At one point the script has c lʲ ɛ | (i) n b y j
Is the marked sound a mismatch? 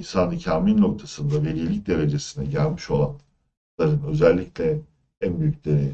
yes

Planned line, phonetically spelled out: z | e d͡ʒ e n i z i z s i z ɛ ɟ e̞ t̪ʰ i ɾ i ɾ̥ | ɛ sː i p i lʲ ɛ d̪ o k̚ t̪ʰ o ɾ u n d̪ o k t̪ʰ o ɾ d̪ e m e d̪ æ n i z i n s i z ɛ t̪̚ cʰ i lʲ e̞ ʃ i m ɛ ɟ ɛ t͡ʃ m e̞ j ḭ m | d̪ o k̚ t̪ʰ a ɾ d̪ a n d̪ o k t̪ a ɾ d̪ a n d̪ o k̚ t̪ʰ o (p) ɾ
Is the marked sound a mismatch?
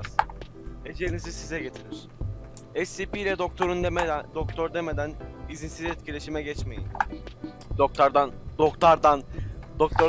yes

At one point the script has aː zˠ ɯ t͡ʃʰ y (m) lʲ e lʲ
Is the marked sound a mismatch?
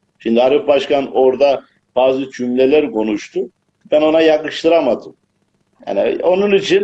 no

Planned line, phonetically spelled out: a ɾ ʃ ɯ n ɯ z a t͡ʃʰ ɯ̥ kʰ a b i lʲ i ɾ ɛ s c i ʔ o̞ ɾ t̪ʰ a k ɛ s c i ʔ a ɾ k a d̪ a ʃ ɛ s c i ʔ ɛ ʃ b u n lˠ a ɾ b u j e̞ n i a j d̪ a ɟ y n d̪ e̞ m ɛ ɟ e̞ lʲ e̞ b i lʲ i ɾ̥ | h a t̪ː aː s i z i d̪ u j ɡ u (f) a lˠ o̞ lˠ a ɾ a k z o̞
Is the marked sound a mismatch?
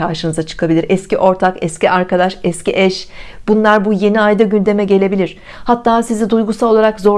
yes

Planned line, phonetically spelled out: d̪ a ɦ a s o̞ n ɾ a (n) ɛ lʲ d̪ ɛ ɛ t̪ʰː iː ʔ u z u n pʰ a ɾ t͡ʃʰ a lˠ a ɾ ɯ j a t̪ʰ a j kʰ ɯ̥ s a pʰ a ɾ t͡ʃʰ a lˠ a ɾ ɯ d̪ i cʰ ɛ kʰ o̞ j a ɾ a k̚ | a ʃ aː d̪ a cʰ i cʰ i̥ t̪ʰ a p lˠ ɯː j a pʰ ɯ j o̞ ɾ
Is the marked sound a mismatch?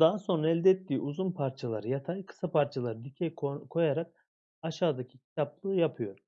yes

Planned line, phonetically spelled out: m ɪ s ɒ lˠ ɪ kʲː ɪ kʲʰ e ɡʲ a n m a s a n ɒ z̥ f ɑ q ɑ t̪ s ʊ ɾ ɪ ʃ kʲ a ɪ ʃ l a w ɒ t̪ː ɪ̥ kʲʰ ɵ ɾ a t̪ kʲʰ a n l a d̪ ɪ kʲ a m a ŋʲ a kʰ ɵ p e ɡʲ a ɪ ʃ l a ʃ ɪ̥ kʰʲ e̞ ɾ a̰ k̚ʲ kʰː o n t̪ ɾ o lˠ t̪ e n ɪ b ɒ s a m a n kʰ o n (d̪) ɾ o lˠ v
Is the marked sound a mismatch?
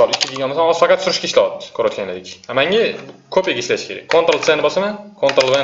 yes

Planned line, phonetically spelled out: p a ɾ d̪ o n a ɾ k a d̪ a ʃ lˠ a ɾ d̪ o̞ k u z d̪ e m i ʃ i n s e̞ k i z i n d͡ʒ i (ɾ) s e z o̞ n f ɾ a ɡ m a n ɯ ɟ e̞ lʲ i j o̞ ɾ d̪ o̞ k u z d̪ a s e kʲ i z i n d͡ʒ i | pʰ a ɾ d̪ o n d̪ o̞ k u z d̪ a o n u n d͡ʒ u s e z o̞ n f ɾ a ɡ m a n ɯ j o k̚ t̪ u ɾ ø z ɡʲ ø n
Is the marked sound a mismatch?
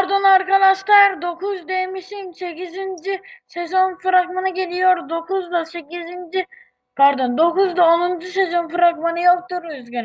yes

